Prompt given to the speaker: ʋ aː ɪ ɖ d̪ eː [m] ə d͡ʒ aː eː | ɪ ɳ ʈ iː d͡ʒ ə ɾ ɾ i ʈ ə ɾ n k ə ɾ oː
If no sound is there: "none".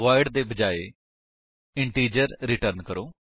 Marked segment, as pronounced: b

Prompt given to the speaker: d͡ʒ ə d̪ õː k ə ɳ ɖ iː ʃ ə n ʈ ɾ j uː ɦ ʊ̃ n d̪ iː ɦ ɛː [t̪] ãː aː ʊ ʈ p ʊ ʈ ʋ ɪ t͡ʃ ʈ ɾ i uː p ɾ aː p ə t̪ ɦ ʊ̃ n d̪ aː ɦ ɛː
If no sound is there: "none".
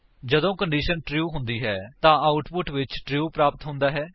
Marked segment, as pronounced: t̪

